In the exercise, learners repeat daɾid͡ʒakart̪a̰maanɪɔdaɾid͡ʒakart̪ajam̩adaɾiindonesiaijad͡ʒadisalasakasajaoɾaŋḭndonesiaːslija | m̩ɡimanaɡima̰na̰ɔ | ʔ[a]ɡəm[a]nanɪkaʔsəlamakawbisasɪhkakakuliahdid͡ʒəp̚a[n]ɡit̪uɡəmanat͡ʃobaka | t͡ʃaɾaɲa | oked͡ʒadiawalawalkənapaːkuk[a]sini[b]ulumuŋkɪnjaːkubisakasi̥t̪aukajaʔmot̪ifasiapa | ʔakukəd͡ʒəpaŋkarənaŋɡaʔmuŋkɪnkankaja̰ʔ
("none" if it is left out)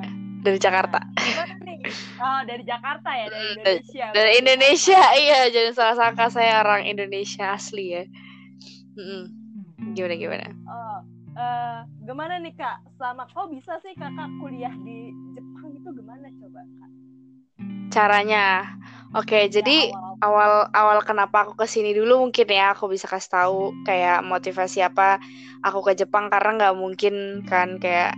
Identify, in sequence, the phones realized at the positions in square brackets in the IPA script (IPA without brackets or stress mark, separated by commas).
ə, a, ŋ, ə, d